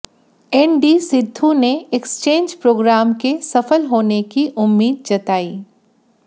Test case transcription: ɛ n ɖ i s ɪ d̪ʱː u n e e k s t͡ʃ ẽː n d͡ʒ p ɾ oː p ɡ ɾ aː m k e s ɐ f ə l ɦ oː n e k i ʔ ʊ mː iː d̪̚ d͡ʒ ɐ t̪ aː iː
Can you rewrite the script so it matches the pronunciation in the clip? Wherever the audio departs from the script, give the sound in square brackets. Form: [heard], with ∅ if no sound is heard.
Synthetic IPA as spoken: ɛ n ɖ i s ɪ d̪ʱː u n e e k s t͡ʃ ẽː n d͡ʒ p ɾ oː [∅] ɡ ɾ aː m k e s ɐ f ə l ɦ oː n e k i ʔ ʊ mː iː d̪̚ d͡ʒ ɐ t̪ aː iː